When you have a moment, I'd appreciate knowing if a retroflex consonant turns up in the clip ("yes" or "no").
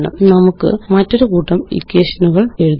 yes